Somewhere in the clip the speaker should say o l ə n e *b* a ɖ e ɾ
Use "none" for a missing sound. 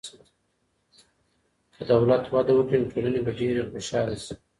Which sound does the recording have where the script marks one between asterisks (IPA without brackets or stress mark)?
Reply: b